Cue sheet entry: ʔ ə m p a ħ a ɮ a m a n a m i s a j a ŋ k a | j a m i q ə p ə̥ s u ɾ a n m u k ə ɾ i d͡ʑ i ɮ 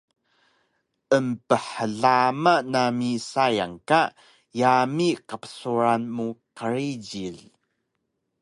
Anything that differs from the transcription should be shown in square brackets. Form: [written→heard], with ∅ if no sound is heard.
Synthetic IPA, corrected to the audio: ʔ ə m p [a→ə] ħ [a→ə] ɮ a m a n a m i s a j a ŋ k a | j a m i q ə p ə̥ s u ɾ a n m u [k→q] ə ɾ i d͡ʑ i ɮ